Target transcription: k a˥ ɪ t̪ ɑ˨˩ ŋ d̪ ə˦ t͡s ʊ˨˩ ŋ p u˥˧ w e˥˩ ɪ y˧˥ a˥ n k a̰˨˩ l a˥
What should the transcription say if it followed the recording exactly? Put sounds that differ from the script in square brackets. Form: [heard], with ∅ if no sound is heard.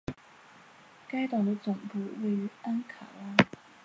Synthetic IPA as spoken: k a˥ ɪ t̪ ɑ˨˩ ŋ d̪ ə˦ t͡s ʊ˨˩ ŋ p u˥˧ w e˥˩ ɪ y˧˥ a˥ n [kʰ] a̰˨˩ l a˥